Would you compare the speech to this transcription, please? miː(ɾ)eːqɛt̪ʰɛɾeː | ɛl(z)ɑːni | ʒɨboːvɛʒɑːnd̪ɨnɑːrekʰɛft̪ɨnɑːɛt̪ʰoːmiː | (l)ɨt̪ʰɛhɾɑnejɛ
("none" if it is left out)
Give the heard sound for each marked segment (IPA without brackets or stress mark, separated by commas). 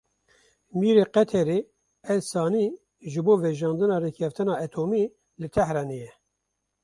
ɾ, s, l